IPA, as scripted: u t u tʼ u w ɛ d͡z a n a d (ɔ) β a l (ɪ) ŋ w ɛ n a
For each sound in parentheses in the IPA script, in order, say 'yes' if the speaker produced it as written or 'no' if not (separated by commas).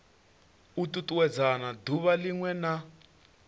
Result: no, no